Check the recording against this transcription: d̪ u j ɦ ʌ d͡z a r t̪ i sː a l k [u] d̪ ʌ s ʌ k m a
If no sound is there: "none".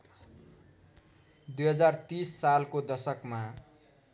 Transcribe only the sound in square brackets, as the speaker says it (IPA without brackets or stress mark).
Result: o